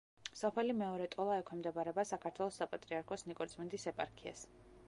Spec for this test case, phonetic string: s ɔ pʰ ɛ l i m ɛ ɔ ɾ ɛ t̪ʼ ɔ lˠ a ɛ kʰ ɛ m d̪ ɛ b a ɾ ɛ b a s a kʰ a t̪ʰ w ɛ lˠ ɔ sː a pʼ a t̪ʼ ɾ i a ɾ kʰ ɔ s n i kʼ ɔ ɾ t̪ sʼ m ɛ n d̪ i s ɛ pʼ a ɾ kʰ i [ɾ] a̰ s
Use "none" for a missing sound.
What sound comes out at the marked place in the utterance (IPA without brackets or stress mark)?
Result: none